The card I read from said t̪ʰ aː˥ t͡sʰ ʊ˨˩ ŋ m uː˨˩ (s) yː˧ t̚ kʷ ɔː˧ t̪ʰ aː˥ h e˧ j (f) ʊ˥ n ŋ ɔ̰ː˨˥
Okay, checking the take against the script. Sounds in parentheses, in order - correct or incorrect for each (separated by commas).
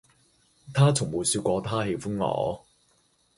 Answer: correct, correct